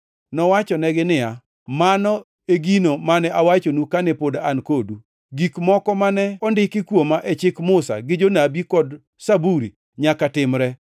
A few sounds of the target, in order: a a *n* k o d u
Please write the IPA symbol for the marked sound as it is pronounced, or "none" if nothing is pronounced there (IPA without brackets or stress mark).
n